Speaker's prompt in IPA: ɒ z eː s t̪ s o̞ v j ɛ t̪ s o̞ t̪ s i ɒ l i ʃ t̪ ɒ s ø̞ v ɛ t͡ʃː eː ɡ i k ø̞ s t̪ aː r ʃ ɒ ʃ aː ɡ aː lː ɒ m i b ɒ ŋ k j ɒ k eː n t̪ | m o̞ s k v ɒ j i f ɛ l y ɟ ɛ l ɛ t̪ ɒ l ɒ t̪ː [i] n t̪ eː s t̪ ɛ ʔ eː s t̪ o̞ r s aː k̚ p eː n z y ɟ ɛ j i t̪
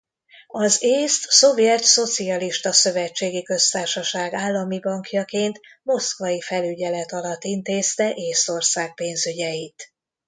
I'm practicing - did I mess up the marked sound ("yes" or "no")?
no